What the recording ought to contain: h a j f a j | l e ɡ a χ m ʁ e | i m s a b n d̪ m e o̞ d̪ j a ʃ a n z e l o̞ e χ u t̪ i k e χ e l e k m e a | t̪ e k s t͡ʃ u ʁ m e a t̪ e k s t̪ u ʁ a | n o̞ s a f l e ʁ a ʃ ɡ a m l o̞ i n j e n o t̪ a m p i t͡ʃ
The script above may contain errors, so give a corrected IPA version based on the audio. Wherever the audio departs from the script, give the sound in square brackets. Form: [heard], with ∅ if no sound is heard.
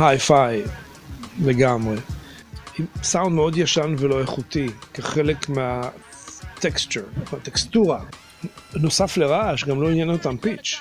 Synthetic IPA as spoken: h a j f a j | l e ɡ a [∅] m ʁ e | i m s a [w] n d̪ m e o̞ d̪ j a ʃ a n [v] e l o̞ e χ u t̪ i k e χ e l e k m e a | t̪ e k s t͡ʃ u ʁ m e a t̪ e k s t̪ u ʁ a | n o̞ s a f l e ʁ a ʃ ɡ a m l o̞ i n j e n o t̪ a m p i t͡ʃ